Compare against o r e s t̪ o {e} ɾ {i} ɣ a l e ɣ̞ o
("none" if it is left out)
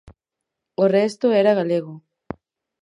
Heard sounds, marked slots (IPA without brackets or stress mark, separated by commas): e, a